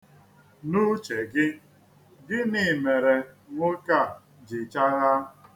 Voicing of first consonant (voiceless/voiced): voiced